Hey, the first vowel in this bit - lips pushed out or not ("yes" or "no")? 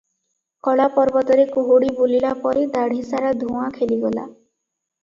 yes